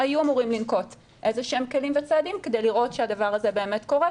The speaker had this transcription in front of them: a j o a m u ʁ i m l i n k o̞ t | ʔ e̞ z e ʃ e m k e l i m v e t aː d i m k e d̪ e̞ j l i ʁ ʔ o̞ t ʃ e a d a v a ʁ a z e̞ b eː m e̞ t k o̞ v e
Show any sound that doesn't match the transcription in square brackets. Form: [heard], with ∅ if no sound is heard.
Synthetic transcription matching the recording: a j [u] a m u ʁ i m l i n k o̞ t | ʔ e̞ z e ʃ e m k e l i m v e [t͡s] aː d i m k e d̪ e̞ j l i ʁ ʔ o̞ t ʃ e a d a v a ʁ a z e̞ b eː m e̞ t k o̞ [ʁ] e